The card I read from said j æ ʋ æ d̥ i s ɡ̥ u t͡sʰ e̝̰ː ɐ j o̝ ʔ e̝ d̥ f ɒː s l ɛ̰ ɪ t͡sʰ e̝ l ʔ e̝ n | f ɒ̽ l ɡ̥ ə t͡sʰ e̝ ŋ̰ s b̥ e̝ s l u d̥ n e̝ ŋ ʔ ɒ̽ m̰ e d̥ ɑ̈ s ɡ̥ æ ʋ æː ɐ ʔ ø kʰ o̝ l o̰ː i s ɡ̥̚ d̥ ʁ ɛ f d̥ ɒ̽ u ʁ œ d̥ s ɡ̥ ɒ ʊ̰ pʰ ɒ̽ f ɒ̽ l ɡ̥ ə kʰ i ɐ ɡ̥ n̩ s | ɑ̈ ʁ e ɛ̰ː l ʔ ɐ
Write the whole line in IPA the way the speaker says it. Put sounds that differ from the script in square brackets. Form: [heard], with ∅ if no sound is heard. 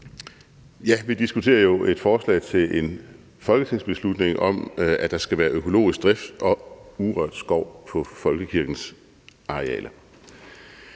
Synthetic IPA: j æ ʋ [i] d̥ i s ɡ̥ u t͡sʰ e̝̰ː ɐ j o̝ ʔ e̝ d̥ f ɒː s l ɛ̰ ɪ t͡sʰ e̝ l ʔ e̝ n | f ɒ̽ l ɡ̥ ə t͡sʰ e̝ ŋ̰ s b̥ e̝ s l u d̥ n e̝ ŋ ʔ ɒ̽ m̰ [æ] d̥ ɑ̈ s ɡ̥ æ ʋ æː ɐ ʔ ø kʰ o̝ l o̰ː i s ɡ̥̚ d̥ ʁ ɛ f d̥ ɒ̽ u ʁ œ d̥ s ɡ̥ ɒ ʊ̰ pʰ ɒ̽ f ɒ̽ l ɡ̥ ə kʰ i ɐ ɡ̥ n̩ s | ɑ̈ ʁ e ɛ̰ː l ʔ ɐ